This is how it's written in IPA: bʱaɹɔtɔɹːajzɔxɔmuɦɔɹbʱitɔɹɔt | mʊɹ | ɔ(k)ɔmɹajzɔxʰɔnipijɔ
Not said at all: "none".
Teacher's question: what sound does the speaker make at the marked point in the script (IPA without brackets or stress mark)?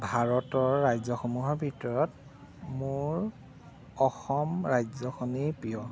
x